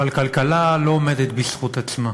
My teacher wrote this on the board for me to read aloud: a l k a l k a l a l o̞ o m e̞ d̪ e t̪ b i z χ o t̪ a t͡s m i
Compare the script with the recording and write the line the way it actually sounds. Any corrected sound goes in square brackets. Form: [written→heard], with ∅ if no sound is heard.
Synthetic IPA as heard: a l k a l k a l a l o̞ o m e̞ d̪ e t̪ b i [z→s] χ [o→u] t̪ a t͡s m [i→a]

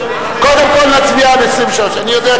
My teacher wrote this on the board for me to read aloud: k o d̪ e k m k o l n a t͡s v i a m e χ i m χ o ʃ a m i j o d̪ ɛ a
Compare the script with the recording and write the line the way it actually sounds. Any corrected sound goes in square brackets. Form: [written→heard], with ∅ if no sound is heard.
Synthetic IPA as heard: k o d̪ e [k→∅] m k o l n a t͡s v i a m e [χ→s] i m [χ→ʃ] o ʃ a [m→n] i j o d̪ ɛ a

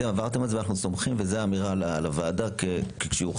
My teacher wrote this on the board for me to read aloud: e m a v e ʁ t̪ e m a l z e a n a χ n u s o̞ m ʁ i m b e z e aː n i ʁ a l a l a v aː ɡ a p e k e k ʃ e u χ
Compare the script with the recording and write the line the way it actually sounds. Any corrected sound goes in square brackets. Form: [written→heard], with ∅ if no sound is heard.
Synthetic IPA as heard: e m a v [e→a] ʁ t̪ e m a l z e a n a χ n u s o̞ m [ʁ→χ] i m [b→v] e z e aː [n→m] i ʁ a l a l a v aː [ɡ→d] a [p→k] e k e k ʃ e u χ

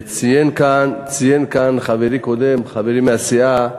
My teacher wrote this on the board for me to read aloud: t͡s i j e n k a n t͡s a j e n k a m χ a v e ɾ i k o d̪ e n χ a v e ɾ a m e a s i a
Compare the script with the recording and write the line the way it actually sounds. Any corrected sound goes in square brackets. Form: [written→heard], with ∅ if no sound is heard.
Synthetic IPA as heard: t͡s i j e n k a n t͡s [a→i] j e n k a [m→n] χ a v e ɾ i k o d̪ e [n→m] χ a v e ɾ [a→i] m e a s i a

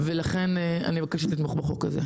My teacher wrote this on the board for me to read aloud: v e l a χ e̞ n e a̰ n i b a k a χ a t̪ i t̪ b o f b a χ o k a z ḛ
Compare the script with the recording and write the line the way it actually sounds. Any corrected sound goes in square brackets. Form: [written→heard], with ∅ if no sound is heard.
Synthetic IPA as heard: v e l a χ e̞ n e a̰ n i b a k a [χ→ʃ] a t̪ i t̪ [b→m] o [f→χ] b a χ o k a z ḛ

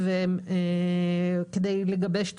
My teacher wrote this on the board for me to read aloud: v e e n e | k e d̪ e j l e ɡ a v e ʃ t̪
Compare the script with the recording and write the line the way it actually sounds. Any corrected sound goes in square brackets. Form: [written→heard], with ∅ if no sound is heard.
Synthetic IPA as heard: v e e [n→m] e | k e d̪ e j l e ɡ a [v→b] e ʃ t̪

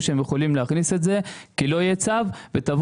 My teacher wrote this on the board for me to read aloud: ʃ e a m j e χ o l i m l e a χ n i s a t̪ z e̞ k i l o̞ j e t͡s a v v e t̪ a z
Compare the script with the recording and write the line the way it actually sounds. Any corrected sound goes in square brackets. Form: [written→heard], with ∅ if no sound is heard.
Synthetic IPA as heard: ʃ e [a→e] m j e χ o l i m l e a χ n i s [a→e] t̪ z e̞ k i l o̞ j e t͡s a v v e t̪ a [z→v]

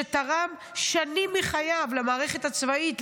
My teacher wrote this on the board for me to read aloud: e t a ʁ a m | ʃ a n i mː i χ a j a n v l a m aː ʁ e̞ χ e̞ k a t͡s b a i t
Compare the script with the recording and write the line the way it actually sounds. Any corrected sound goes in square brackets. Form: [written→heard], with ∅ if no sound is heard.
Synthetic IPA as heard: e t a ʁ a m | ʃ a n i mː i χ a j a [n→∅] v l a m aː ʁ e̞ χ e̞ [k→t] a t͡s [b→v] a i t

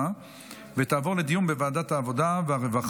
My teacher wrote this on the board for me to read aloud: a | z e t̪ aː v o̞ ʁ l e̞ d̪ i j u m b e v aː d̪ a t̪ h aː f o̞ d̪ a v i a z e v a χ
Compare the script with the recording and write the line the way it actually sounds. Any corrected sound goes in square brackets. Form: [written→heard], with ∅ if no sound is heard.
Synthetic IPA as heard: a | [z→v] e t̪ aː v o̞ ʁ l e̞ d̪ i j u m b e v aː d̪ a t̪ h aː [f→v] o̞ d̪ a v [i→e] a [z→ʁ] e v a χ

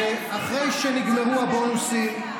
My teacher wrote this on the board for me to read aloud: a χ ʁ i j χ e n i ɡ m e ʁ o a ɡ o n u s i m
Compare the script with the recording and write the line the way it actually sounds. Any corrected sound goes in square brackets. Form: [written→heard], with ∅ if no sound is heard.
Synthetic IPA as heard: a χ ʁ [i→e] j [χ→ʃ] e n i ɡ m e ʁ [o→u] a [ɡ→b] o n u s i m

